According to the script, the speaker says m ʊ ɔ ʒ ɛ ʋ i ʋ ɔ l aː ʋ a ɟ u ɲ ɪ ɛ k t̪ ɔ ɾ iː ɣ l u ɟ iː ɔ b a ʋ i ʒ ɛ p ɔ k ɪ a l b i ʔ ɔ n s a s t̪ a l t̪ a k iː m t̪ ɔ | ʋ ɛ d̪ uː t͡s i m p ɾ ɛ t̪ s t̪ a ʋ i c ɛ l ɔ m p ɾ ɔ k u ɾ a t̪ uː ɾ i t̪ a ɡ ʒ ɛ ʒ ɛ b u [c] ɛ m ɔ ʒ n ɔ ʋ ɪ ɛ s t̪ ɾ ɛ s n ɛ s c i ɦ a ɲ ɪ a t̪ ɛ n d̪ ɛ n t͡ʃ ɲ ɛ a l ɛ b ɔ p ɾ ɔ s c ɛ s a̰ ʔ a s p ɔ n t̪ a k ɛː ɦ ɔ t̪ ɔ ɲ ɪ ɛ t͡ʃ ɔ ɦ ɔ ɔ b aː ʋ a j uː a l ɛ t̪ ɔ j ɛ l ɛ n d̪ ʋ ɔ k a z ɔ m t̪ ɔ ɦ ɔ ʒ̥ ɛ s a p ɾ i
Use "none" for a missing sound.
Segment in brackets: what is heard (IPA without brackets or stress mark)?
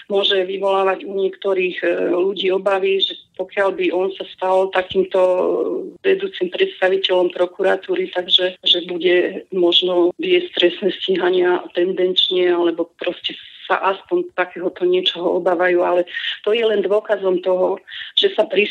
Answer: ɟ